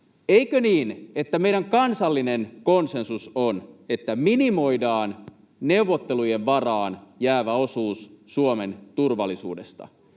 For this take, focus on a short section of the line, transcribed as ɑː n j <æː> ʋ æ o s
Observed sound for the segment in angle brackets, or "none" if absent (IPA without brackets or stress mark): æː